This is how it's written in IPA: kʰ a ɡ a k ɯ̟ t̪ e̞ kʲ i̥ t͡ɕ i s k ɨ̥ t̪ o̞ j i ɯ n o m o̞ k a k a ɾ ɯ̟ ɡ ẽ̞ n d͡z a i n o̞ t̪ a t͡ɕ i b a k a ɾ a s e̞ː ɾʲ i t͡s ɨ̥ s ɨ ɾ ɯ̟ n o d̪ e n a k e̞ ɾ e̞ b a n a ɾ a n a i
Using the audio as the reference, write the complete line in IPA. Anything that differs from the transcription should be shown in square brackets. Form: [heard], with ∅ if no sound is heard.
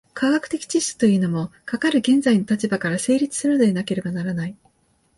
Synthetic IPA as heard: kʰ a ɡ a k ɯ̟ t̪ e̞ kʲ i̥ t͡ɕ i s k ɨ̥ t̪ o̞ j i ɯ n o m o̞ k a k a ɾ ɯ̟ ɡ ẽ̞ n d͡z a i n o̞ t̪ a t͡ɕ i b a k a ɾ a s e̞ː ɾʲ i t͡s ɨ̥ s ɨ ɾ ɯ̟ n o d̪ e n a k e̞ ɾ e̞ b a n a ɾ a n a i